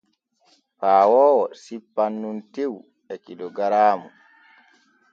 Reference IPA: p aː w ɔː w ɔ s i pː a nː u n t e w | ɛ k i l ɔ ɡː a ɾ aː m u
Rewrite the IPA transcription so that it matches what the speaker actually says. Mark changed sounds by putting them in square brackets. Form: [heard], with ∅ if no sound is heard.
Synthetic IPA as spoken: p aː w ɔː w ɔ s i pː a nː u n t e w | ɛ k i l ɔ [ɡ] a ɾ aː m u

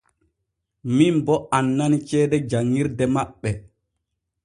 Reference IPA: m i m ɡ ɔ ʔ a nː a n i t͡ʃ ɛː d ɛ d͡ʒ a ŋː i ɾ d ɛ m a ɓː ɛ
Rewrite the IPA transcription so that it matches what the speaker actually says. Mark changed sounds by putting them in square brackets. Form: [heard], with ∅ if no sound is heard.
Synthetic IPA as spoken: m i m [b] ɔ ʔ a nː a n i t͡ʃ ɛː d ɛ d͡ʒ a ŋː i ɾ d ɛ m a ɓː ɛ

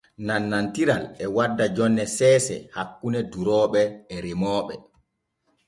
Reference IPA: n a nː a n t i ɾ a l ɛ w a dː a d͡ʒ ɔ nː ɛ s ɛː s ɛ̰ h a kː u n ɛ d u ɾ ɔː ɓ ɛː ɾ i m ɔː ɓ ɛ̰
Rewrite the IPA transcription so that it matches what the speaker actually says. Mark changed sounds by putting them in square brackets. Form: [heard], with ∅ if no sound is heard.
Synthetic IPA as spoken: n a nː a n t i ɾ a l ɛ w a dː a d͡ʒ ɔ nː ɛ s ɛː s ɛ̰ h a kː u n ɛ d u ɾ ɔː ɓ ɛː ɾ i m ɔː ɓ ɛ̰

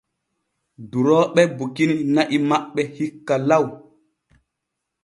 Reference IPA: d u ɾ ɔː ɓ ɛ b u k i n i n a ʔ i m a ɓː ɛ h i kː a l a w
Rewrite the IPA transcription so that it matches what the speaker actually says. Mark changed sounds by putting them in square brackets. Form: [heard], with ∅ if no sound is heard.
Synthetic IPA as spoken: d u ɾ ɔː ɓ ɛ b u k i n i n a ʔ i m a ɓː ɛ h i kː a l a w

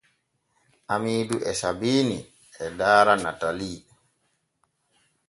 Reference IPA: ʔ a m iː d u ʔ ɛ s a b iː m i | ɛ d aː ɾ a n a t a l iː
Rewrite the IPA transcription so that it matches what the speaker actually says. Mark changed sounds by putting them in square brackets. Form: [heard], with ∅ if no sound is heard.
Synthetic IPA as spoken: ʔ a m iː d u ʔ ɛ s a b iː [n] i | ɛ d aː ɾ a n a t a l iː

